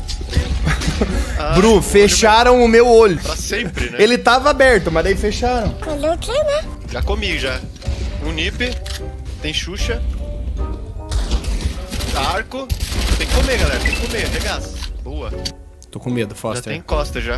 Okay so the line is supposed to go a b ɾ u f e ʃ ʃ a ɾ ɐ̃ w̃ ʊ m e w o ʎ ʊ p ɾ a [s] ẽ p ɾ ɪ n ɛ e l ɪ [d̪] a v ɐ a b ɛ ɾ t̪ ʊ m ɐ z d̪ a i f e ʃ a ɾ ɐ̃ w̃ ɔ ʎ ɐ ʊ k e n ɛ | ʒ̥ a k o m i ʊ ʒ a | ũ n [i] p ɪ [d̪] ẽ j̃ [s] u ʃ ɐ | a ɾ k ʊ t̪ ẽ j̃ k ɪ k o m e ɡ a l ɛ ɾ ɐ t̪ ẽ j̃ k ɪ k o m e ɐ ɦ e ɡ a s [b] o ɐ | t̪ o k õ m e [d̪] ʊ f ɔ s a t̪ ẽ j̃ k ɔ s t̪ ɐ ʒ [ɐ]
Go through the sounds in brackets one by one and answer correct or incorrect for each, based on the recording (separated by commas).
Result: correct, incorrect, correct, incorrect, incorrect, correct, correct, incorrect